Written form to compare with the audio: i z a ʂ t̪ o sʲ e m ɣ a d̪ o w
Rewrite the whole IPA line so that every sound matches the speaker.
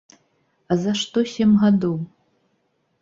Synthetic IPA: a z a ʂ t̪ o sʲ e m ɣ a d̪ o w